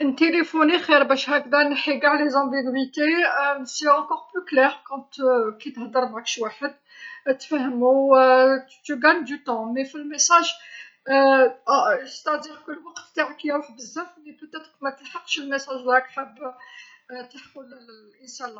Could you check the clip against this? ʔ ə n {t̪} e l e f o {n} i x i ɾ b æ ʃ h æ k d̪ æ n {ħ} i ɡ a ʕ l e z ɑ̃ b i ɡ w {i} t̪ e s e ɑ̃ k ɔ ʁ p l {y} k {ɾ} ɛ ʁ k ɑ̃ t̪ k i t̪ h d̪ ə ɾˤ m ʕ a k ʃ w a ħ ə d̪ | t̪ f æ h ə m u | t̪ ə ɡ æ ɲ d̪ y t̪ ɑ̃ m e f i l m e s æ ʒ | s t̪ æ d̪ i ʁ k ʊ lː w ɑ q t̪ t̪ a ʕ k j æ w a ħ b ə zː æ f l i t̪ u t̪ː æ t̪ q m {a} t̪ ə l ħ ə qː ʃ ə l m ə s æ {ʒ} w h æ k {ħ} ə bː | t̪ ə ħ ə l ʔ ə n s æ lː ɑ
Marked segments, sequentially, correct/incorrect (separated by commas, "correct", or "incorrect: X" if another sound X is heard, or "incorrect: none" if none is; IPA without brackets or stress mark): correct, correct, correct, correct, correct, incorrect: l, incorrect: æ, correct, correct